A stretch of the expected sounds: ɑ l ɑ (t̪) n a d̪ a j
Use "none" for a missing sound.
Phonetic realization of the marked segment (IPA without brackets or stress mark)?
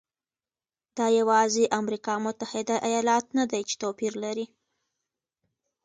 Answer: t̪